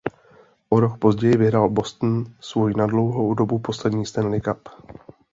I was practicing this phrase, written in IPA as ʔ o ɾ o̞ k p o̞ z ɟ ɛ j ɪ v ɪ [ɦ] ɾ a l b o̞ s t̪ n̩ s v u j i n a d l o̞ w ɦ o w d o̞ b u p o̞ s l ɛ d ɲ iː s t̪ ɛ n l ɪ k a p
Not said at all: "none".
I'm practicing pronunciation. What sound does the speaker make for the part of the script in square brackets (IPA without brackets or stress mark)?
ɦ